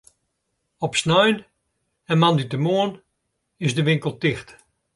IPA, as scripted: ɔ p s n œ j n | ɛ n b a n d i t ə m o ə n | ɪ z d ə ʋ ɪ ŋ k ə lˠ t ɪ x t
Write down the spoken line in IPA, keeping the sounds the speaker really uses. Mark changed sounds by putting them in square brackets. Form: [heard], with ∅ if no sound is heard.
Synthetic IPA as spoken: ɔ p s n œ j n | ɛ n [m] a n d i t ə m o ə n | ɪ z d ə ʋ ɪ ŋ k ə lˠ t ɪ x t